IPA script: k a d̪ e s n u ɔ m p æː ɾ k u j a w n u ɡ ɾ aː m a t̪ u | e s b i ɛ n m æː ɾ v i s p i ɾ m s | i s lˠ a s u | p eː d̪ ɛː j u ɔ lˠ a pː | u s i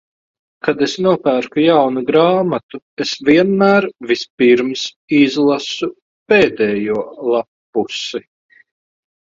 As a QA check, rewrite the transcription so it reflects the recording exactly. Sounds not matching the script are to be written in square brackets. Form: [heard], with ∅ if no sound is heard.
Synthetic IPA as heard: k a d̪ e s n u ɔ [∅] p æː ɾ k u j a w n u ɡ ɾ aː m a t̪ u | e s [v] i ɛ n m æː ɾ v i s p i ɾ m s | i [z] lˠ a s u | p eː d̪ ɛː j u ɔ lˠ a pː | u s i